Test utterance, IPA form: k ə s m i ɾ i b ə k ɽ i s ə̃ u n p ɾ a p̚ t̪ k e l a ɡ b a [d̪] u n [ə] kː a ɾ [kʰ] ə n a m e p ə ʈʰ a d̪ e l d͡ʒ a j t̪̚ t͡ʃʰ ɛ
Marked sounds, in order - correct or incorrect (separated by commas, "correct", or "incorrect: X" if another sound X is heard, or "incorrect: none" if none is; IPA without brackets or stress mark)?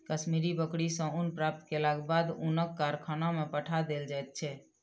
correct, correct, correct